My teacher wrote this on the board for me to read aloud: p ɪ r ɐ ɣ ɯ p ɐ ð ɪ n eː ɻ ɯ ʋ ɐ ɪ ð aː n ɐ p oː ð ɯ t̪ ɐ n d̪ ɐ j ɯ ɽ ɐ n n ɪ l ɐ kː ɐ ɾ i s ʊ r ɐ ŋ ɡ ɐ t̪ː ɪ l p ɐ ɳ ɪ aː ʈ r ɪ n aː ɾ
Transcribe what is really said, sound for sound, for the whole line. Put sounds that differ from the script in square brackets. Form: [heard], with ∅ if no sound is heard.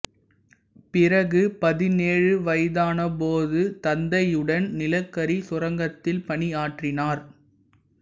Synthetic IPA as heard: p ɪ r ɐ ɣ ɯ p ɐ ð ɪ n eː ɻ ɯ ʋ ɐ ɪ ð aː n ɐ p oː ð ɯ t̪ ɐ n d̪ ɐ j ɯ ɽ ɐ n n ɪ l ɐ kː ɐ ɾ i s ʊ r ɐ ŋ ɡ ɐ t̪ː ɪ l p ɐ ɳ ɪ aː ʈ r ɪ n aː ɾ